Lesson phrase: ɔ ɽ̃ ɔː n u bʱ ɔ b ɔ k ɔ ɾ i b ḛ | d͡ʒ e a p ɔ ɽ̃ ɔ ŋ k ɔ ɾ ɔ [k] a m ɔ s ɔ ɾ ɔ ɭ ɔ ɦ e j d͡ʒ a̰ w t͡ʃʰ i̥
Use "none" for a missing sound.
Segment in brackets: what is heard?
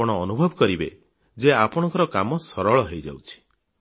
k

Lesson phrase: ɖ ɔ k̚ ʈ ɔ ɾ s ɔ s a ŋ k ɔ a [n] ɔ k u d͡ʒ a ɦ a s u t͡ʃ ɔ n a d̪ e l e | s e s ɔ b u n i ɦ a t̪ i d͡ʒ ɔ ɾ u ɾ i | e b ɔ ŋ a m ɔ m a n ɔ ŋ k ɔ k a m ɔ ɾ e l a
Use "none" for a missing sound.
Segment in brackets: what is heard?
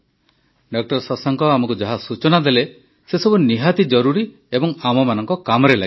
m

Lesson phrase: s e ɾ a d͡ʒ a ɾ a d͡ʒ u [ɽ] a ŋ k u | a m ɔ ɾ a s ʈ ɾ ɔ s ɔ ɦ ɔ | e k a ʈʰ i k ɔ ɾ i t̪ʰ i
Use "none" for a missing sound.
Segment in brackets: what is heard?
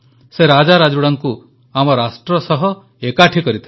ɽ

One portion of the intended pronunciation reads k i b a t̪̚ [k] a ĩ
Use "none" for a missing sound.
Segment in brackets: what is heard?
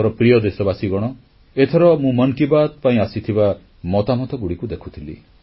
p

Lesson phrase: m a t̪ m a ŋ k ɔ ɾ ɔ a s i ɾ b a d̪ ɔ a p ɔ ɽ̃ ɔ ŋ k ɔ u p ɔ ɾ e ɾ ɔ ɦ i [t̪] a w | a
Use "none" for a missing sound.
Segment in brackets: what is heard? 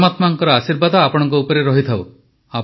t̪ʰ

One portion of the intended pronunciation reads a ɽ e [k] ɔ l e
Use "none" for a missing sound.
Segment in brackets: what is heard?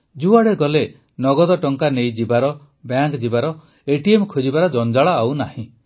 ɡ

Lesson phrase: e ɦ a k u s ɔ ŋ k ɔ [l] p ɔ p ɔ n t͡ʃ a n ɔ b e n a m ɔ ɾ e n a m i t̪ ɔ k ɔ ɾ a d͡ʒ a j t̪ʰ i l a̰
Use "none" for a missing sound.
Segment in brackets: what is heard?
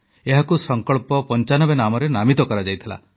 ɭ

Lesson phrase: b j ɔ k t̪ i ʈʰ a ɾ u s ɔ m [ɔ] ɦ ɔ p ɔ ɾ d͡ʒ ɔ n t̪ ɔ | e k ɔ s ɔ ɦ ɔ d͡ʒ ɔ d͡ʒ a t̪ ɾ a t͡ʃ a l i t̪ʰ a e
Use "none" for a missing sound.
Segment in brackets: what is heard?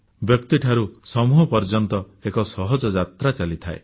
u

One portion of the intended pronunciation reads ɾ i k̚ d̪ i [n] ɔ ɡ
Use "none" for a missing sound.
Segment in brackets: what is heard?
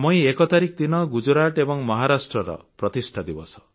n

